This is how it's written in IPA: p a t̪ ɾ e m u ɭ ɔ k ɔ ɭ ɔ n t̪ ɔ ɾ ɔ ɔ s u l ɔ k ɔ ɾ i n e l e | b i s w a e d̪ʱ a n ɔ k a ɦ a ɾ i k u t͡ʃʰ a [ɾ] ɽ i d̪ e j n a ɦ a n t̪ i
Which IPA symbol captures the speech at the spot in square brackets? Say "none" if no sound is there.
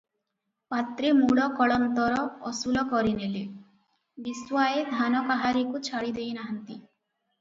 none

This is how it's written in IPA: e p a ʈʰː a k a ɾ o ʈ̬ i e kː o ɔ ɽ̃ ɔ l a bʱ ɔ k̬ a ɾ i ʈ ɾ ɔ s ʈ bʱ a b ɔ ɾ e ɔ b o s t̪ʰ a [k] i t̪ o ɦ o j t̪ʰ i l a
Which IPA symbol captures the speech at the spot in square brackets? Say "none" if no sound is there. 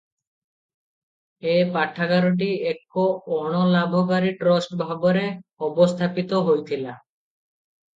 p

